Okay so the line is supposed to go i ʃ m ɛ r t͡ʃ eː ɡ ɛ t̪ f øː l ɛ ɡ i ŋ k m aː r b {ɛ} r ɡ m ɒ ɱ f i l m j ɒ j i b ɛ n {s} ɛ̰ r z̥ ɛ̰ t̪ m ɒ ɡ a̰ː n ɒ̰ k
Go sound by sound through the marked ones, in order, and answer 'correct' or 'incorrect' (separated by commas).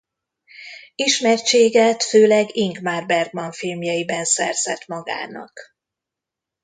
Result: correct, correct